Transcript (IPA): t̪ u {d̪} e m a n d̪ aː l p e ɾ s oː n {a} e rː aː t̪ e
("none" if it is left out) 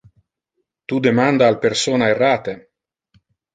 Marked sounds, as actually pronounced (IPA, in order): d̪, a

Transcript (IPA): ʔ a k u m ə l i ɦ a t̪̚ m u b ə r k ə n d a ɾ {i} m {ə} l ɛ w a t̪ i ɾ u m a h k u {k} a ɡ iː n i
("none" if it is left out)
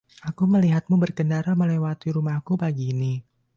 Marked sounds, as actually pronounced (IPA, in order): a, ə, p

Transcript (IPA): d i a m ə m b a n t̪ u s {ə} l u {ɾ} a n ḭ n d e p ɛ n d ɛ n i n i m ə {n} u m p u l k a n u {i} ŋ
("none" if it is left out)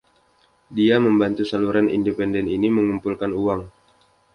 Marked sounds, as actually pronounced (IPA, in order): a, ɾ, ŋ, a

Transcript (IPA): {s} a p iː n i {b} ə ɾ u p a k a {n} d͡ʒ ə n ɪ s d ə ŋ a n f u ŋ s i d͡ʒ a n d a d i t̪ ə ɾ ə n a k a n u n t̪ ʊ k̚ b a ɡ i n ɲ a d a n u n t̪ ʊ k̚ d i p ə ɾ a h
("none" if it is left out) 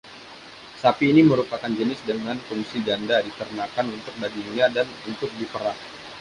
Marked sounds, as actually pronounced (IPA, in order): s, m, n

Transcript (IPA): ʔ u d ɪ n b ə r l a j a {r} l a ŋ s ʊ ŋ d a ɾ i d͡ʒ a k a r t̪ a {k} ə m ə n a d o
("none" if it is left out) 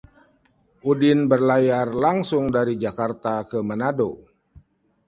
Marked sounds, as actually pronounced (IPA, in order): r, k

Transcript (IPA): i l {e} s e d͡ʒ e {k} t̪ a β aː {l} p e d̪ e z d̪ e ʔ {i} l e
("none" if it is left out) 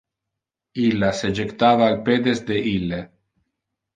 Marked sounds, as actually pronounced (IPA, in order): a, k, l, i

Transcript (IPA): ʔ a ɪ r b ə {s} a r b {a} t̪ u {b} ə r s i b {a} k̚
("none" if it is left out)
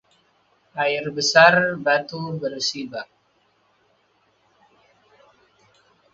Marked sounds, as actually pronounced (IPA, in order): s, a, b, a

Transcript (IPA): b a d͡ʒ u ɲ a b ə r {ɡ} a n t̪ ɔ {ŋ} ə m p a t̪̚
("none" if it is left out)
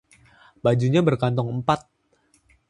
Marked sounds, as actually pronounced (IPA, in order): k, ŋ

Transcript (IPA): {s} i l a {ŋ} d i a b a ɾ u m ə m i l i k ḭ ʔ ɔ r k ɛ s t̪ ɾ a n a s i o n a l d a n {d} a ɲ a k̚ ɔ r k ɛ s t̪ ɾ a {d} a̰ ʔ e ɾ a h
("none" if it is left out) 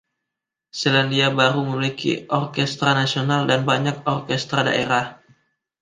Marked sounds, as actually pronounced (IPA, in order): s, n, b, d

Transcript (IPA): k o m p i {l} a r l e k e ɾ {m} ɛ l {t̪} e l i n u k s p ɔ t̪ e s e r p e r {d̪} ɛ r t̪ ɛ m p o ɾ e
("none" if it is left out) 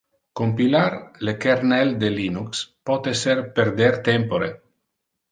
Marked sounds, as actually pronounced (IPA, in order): l, n, d̪, d̪

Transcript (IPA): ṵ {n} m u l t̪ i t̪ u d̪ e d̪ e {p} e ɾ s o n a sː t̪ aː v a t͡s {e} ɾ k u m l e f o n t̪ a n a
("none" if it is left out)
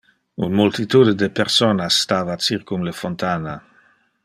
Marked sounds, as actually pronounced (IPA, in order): n, p, i

